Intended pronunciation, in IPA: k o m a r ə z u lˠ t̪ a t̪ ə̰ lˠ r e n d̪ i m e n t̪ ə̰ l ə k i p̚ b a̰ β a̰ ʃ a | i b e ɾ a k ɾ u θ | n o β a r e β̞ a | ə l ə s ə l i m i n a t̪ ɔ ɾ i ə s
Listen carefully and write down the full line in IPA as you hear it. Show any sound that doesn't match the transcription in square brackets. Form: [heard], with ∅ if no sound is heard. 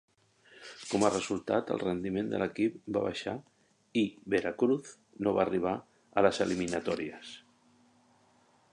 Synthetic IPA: k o m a r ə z u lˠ t̪ a t̪ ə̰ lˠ r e n d̪ i m e n [d̪] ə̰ l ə k i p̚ b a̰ β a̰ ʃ a | i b e ɾ a k ɾ u θ | n o β a r [i] β̞ a | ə l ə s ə l i m i n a t̪ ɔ ɾ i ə s